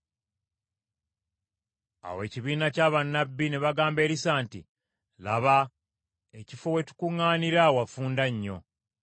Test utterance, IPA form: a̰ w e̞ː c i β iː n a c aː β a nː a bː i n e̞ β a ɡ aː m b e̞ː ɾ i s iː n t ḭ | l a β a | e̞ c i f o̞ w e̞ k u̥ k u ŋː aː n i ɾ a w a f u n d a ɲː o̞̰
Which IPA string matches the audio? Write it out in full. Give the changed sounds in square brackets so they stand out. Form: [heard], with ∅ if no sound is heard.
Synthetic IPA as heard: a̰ w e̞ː c i β iː n a c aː β a nː a bː i n e̞ β a ɡ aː m b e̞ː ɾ i s [aː] n t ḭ | l a β a | e̞ c i f o̞ w e̞ [t] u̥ k u ŋː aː n i ɾ a w a f [uː] n d a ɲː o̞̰